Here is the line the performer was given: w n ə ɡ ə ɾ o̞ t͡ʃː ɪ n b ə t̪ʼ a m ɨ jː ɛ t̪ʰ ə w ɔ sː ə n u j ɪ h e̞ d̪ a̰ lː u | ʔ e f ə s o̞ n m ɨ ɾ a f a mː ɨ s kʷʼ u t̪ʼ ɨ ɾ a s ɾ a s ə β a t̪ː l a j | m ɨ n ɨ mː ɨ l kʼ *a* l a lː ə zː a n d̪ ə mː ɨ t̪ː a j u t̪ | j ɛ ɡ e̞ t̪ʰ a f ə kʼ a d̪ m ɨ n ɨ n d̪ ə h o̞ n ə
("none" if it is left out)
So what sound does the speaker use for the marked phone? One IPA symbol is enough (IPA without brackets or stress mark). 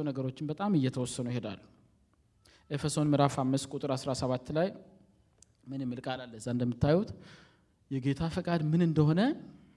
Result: a